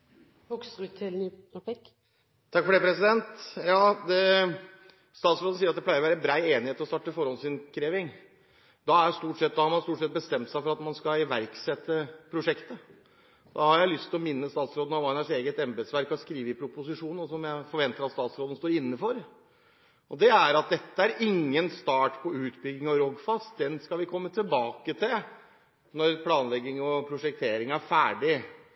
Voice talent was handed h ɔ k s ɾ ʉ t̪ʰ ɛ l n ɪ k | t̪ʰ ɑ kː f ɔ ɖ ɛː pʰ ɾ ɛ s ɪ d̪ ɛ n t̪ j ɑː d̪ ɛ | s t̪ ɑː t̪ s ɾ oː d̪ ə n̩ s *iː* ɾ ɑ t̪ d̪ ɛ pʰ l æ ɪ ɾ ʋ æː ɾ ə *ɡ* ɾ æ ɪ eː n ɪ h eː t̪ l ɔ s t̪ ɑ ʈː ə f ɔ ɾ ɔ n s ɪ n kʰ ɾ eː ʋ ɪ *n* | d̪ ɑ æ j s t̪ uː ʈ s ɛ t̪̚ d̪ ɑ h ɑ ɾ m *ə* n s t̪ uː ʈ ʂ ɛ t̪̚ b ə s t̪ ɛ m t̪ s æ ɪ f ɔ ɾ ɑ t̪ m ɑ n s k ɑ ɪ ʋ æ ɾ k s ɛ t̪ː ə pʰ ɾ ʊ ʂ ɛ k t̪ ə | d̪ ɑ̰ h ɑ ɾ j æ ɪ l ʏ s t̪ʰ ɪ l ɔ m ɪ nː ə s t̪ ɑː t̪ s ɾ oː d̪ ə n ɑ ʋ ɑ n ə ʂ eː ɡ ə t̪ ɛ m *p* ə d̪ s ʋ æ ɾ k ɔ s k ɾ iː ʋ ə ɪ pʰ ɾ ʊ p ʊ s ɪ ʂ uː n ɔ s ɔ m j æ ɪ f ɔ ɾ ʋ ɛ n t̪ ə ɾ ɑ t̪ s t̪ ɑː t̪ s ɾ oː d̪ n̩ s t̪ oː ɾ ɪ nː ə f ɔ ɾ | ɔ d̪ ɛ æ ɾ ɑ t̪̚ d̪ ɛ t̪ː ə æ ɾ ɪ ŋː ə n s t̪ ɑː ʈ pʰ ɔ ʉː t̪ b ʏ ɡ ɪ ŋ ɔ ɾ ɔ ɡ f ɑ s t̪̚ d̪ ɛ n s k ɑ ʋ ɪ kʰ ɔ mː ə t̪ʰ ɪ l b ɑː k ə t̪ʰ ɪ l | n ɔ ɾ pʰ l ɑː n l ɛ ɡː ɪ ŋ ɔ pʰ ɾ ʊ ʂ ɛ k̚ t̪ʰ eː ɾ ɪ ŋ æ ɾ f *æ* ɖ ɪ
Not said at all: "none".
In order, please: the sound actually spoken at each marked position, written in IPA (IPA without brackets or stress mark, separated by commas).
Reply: iː, b, ŋ, ɑ, b, æː